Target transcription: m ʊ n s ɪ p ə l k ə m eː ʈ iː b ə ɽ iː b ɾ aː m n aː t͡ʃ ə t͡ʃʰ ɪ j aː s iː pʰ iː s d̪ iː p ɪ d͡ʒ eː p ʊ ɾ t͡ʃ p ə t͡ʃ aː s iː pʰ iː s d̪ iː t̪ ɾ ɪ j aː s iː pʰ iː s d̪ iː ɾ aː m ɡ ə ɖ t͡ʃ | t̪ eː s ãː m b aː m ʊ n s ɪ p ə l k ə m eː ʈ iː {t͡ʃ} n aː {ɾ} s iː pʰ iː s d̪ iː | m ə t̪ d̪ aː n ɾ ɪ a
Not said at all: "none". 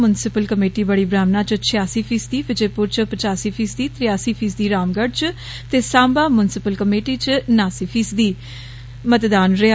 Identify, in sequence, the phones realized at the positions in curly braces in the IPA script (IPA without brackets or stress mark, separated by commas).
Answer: t͡ʃ, none